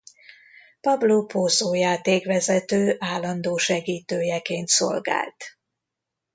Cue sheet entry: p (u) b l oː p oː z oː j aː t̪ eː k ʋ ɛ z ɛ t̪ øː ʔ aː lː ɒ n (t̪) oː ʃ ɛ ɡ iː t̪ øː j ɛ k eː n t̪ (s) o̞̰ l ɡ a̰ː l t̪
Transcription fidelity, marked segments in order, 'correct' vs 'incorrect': incorrect, incorrect, correct

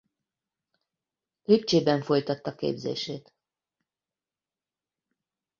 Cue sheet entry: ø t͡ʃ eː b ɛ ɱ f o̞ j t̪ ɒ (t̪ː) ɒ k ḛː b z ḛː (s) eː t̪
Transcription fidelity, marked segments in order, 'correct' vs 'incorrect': correct, incorrect

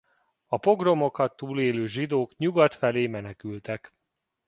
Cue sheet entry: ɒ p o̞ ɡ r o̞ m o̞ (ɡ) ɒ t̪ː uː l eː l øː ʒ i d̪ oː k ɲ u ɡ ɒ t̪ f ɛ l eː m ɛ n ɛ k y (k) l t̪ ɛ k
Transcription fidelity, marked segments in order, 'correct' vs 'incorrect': incorrect, incorrect

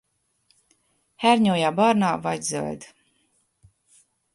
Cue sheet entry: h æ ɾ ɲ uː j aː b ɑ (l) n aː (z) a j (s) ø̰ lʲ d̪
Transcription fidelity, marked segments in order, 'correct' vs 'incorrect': incorrect, incorrect, incorrect

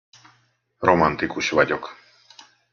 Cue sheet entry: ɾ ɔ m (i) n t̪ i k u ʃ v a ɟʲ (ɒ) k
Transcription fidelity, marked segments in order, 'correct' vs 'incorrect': incorrect, incorrect

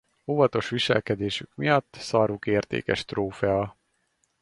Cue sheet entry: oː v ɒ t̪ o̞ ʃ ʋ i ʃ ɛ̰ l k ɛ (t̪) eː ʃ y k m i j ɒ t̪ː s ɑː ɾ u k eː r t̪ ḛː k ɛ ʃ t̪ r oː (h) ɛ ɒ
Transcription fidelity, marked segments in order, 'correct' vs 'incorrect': incorrect, incorrect

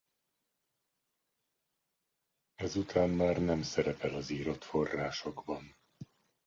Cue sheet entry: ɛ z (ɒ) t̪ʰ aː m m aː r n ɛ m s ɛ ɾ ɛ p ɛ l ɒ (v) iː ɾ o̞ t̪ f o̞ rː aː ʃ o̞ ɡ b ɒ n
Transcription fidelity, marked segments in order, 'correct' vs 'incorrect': incorrect, incorrect

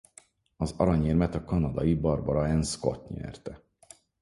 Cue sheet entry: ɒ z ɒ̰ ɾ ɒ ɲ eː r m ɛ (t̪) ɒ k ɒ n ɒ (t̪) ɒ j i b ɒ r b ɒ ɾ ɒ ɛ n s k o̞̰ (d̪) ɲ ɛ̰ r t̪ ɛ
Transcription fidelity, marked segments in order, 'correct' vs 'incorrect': correct, incorrect, incorrect

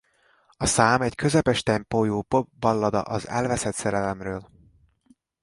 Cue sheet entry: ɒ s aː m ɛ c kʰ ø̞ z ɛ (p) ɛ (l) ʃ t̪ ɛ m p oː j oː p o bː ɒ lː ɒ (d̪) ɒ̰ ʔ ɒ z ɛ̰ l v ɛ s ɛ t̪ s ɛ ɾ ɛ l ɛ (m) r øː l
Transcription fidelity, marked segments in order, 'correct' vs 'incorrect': correct, incorrect, correct, correct

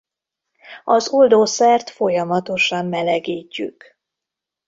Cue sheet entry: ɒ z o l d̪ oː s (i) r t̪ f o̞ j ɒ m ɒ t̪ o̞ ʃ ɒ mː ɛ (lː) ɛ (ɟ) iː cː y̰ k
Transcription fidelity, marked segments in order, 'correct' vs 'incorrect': incorrect, incorrect, incorrect

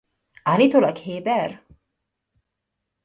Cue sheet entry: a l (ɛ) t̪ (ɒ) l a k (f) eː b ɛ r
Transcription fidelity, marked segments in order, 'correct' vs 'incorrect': incorrect, incorrect, incorrect

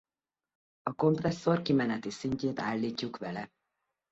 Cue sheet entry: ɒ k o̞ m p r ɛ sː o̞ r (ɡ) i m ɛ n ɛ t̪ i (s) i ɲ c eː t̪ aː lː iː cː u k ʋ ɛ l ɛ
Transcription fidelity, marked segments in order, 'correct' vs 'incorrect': incorrect, correct

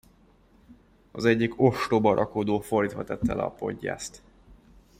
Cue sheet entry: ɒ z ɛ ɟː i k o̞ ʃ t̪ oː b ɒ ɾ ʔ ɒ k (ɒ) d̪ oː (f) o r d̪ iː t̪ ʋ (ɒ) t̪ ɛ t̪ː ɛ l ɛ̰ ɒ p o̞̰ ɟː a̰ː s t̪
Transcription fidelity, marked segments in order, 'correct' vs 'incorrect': incorrect, correct, correct

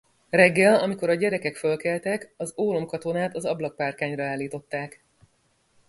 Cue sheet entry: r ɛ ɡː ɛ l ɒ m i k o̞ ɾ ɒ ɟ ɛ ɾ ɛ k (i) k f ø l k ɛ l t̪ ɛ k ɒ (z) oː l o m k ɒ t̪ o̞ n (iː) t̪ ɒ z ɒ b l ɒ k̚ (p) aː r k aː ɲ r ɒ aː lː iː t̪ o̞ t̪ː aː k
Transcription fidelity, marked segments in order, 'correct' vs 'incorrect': incorrect, correct, incorrect, correct

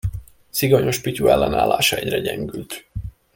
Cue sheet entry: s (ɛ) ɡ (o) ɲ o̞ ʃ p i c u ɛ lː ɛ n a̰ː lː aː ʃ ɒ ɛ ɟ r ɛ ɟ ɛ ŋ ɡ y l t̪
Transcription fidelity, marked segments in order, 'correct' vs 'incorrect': incorrect, correct

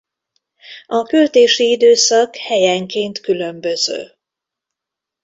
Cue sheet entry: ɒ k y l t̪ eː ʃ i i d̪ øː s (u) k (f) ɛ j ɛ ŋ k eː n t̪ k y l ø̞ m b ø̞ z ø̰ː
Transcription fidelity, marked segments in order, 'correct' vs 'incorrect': incorrect, incorrect

